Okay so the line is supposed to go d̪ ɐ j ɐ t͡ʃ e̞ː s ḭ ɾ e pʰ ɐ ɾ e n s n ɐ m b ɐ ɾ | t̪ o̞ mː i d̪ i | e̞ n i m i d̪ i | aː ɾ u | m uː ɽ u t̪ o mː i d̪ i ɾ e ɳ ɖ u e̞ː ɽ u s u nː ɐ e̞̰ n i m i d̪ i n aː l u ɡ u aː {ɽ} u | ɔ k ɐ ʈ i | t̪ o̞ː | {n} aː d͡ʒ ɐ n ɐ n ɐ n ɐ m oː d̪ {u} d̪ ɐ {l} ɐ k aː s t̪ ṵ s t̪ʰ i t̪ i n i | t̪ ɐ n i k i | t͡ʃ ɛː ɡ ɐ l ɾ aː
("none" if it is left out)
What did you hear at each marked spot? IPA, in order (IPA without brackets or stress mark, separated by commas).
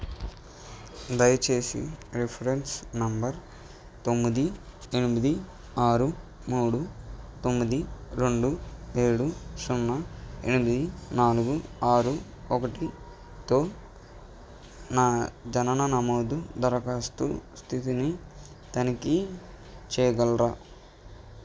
ɾ, n, u, ɾ